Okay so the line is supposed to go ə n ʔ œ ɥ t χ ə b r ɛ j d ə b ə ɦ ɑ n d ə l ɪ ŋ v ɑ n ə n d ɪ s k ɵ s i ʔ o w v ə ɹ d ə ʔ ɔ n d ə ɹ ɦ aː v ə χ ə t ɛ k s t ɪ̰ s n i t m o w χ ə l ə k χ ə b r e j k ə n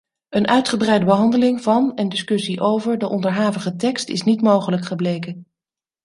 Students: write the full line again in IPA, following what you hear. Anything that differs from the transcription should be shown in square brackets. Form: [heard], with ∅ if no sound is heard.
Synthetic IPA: ə n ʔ œ ɥ t χ ə b r ɛ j d ə b ə ɦ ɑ n d ə l ɪ ŋ v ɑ n ə n d ɪ s k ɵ s i ʔ o w v ə ɹ d ə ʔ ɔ n d ə ɹ ɦ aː v ə χ ə t ɛ k s t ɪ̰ s n i t m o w χ ə l ə k χ ə b [l] e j k ə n